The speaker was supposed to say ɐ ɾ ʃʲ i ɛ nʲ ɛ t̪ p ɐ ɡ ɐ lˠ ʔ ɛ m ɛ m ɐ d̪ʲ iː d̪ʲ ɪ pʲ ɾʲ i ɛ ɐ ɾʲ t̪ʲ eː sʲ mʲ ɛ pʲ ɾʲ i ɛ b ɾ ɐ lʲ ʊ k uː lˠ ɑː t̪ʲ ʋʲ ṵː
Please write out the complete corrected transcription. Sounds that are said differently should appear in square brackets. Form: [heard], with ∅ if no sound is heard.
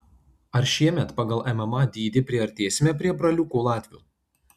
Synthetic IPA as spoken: ɐ ɾ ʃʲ i ɛ [mʲ] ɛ t̪ p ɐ ɡ ɐ lˠ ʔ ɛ m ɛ m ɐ d̪ʲ iː d̪ʲ ɪ pʲ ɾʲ i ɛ ɐ ɾʲ t̪ʲ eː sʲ mʲ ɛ pʲ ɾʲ i ɛ b ɾ ɐ lʲ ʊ k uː lˠ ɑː t̪ʲ ʋʲ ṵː